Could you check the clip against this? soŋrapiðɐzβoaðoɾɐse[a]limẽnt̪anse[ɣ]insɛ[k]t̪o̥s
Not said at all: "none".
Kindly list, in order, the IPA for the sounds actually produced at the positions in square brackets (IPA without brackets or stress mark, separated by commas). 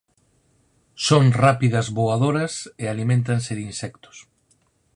a, ð, k